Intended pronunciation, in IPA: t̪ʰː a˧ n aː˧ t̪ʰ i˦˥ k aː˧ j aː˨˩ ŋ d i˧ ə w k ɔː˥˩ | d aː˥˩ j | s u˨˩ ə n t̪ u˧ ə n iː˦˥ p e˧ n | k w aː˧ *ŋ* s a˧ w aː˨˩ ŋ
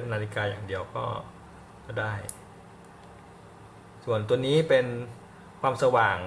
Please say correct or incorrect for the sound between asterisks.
incorrect